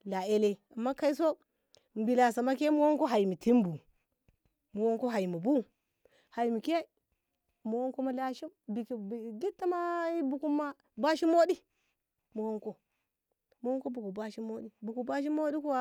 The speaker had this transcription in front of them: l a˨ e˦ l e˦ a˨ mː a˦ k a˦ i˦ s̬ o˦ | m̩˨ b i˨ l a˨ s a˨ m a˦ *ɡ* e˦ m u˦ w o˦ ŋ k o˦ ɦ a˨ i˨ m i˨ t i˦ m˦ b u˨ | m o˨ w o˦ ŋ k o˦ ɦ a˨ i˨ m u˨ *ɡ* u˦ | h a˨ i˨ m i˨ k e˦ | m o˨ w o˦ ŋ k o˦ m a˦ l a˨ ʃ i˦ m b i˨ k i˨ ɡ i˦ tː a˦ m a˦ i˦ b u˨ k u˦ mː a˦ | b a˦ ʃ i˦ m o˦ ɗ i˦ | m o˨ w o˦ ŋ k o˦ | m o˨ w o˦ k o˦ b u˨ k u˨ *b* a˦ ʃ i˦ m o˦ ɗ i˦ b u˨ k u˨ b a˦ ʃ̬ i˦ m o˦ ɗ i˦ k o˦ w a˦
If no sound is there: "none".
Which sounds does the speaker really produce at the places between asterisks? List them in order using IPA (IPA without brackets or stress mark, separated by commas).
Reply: k, b, b